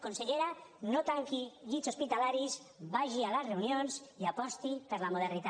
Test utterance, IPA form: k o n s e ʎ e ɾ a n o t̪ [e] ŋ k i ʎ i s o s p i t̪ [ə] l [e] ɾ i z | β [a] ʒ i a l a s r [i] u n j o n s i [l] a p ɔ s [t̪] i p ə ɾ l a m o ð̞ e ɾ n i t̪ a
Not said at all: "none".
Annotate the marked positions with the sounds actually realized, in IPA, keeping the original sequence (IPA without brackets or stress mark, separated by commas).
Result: a, a, a, a, e, none, t̪